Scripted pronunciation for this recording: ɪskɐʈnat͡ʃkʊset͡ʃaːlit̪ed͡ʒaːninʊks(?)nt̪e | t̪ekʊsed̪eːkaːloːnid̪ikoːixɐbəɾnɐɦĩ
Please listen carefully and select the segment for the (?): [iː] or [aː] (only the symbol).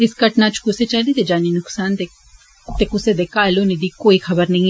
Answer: aː